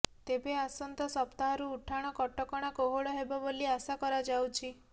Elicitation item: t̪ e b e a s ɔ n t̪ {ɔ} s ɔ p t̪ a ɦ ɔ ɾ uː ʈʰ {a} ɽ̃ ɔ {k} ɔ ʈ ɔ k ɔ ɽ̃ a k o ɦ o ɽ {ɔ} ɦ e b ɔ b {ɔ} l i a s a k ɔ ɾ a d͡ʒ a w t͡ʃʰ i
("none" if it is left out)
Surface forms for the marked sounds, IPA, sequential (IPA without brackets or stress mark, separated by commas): ɔ, a, k, ɔ, o